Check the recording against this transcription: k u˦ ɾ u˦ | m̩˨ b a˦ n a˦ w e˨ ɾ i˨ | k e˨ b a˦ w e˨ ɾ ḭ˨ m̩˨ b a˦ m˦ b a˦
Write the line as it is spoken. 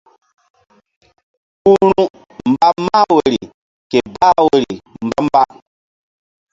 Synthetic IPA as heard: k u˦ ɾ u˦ | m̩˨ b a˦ m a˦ w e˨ ɾ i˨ | k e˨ b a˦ w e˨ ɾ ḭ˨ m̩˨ b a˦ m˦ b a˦